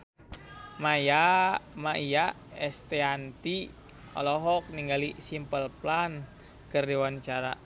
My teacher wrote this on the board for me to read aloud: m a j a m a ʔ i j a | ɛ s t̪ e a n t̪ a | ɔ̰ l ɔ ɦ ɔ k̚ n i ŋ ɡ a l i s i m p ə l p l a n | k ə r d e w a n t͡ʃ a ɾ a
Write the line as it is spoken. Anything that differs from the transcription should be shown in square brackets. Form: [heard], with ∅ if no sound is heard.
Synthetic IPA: m a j a m a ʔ i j a | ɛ s t̪ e a n t̪ [i] | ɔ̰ l ɔ ɦ ɔ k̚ n i ŋ ɡ a l i s i m p ə l p l a n | k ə r d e w a n t͡ʃ a ɾ a